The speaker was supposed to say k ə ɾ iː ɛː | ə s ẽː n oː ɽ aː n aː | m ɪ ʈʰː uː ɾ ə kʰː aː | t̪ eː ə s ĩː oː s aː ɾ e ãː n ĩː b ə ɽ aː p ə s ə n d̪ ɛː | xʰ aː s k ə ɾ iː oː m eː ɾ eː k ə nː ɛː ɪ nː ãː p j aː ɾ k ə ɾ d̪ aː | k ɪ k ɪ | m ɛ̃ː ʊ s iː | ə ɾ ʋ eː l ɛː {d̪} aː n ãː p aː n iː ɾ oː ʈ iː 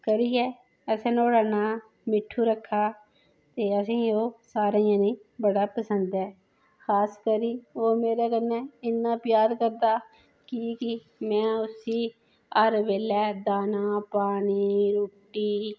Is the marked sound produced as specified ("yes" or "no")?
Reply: yes